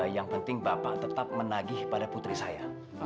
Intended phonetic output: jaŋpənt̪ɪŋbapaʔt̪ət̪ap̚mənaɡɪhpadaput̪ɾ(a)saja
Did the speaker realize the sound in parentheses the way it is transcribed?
no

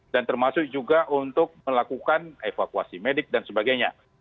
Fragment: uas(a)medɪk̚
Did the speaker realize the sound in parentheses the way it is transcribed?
no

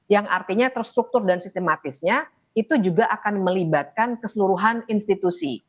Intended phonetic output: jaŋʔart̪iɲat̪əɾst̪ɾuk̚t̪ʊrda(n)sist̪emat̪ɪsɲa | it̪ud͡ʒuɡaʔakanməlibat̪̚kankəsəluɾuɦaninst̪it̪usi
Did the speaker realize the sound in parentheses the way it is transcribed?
yes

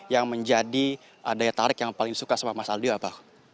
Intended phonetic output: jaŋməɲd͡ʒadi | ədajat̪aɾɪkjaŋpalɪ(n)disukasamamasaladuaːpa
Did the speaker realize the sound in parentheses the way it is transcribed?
no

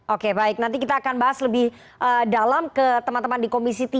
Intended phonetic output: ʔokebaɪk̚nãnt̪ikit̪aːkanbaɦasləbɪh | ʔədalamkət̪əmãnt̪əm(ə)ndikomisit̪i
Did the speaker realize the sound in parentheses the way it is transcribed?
no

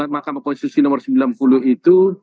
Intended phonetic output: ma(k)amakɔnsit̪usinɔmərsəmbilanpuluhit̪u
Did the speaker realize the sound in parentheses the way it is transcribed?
yes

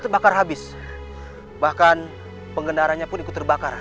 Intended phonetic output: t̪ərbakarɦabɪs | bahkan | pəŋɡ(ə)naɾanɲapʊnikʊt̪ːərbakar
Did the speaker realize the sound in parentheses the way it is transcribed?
yes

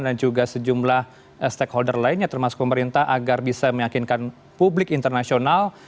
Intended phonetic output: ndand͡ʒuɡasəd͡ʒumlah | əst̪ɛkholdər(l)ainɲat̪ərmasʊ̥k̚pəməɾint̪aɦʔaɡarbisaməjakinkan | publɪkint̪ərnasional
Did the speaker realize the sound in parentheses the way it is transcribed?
yes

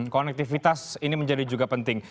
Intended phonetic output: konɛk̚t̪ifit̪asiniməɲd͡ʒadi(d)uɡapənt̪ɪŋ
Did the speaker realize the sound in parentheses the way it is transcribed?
no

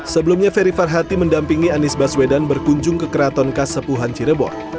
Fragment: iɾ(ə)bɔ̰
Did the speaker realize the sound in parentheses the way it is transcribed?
yes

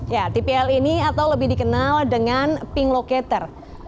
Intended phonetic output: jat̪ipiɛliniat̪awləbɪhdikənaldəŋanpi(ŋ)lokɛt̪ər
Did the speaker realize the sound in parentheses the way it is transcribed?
yes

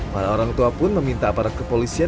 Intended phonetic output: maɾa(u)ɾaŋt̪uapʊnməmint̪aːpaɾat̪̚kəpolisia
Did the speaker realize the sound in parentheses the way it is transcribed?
no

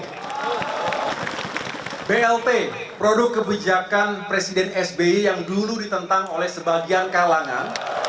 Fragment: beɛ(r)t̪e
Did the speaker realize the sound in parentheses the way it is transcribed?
no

